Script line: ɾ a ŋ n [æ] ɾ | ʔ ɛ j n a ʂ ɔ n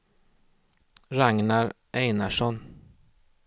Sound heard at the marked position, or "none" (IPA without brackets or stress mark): a